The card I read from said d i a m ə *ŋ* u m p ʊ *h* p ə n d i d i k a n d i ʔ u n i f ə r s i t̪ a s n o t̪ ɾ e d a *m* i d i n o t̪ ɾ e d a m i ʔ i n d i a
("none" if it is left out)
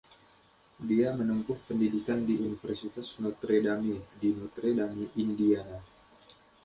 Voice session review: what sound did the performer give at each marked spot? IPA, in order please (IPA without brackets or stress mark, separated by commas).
n, h, m